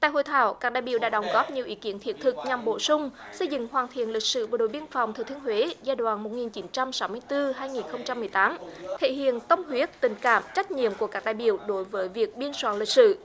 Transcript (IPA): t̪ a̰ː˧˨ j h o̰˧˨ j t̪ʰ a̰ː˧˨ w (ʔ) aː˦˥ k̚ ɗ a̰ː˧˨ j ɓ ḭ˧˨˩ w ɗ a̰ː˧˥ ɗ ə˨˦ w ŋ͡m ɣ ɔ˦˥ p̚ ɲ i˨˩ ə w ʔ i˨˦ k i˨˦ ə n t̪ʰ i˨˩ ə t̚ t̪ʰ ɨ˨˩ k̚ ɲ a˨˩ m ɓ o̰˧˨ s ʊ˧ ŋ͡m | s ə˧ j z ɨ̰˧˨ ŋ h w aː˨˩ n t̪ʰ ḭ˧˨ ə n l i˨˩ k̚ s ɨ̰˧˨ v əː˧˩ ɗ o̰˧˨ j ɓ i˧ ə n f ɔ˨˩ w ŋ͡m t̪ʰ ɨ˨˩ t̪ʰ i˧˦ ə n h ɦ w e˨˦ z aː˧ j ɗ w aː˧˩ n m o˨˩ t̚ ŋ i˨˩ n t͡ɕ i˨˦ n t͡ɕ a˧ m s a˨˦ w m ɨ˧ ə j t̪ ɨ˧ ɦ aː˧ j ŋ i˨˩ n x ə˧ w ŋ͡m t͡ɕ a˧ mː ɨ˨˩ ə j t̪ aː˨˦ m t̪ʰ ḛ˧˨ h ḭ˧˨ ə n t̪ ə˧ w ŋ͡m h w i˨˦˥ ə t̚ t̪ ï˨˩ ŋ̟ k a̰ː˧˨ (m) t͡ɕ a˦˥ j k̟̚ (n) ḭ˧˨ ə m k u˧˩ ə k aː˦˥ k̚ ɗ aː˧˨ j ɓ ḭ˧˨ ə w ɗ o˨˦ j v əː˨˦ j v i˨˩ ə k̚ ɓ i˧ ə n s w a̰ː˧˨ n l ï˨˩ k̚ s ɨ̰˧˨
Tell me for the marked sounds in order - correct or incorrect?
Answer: incorrect, correct, incorrect

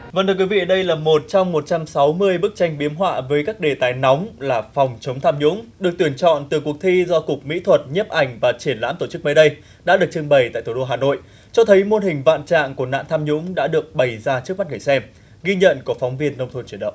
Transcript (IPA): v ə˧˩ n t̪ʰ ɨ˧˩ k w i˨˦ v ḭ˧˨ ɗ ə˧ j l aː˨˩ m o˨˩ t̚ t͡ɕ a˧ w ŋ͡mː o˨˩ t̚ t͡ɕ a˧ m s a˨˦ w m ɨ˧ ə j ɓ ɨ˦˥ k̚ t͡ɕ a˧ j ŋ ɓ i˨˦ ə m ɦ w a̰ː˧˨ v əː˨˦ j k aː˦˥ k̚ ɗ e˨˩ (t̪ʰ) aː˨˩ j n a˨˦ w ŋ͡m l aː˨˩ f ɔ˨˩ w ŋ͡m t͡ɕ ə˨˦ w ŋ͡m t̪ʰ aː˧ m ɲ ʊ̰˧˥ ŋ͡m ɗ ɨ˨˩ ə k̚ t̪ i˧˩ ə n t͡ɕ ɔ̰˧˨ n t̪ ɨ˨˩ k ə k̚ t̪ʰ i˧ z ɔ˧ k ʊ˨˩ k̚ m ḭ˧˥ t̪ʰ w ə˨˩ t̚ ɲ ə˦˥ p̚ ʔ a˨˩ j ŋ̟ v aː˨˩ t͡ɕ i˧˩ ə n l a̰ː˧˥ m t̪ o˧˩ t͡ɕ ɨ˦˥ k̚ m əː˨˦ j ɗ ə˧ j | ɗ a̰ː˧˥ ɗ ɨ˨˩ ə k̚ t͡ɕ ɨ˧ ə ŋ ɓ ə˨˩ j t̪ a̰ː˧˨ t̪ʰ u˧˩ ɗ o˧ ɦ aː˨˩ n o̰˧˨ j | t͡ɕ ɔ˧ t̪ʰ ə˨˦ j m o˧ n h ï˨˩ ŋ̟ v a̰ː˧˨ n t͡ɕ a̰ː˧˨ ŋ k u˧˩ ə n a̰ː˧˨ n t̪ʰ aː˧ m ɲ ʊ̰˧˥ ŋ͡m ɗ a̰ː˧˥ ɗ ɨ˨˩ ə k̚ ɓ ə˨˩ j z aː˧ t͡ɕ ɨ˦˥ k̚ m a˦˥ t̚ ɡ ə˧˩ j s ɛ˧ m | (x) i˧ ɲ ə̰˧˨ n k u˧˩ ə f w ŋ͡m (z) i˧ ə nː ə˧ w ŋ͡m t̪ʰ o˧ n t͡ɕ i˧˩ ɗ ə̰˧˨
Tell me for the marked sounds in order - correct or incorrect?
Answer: incorrect, incorrect, incorrect

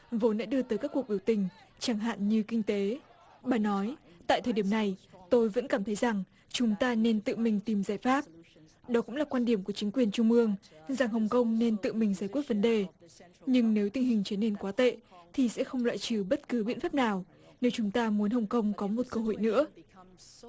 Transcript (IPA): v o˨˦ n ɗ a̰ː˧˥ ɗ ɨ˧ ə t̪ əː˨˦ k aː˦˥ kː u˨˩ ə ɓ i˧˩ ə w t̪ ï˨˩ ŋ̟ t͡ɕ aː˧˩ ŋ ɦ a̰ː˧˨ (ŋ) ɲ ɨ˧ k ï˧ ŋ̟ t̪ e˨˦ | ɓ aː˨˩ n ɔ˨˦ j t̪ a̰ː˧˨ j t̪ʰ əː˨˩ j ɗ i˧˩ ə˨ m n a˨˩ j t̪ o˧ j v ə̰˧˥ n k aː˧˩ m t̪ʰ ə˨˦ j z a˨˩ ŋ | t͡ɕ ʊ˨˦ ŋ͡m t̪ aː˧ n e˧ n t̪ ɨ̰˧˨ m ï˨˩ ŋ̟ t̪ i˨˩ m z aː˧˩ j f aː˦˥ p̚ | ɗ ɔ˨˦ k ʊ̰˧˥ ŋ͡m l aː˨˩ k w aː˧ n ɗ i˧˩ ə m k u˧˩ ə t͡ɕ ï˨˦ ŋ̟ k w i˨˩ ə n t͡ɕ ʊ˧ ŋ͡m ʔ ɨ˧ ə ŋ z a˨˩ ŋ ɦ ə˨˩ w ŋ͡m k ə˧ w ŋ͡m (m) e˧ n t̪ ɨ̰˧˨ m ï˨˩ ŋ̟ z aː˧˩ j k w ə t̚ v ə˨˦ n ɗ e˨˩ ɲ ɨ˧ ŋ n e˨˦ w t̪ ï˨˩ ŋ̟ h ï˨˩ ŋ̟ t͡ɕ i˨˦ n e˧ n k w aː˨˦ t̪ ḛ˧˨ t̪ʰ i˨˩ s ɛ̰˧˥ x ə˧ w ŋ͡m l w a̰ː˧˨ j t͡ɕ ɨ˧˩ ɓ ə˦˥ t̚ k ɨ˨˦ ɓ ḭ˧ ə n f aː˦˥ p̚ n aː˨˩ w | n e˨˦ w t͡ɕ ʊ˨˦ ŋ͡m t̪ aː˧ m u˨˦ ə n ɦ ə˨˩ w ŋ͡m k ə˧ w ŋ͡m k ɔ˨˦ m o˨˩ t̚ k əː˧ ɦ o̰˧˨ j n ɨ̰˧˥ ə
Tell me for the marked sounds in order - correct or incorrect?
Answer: incorrect, incorrect

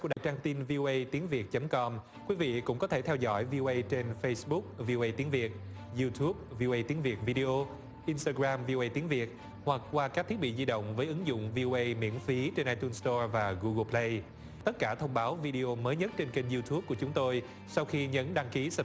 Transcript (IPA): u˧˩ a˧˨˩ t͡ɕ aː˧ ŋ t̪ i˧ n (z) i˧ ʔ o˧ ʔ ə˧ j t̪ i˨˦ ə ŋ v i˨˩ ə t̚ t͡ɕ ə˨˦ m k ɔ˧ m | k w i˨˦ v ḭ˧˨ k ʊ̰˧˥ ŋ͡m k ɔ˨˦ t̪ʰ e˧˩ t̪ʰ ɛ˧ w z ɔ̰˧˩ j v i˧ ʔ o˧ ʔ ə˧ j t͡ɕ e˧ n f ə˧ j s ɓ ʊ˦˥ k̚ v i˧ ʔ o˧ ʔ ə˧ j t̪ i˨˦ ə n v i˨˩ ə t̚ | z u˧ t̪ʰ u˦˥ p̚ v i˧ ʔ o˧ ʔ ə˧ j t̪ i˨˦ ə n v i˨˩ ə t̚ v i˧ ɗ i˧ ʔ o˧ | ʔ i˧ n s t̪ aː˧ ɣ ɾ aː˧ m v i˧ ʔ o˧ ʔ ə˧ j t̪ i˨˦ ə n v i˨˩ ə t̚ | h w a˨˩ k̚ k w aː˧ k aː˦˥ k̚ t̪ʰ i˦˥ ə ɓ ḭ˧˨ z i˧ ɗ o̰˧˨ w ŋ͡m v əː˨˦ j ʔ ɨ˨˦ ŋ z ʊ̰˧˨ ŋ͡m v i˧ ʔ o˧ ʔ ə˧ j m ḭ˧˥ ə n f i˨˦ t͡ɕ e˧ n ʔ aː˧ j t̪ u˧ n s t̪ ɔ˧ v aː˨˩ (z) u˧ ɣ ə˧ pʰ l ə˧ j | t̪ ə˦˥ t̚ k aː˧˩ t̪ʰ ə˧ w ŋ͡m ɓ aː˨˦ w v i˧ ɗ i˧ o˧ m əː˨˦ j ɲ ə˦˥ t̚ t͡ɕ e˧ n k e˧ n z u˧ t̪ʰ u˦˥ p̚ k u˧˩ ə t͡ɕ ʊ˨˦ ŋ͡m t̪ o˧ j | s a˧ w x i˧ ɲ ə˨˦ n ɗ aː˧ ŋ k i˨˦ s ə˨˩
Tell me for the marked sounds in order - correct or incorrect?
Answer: incorrect, incorrect

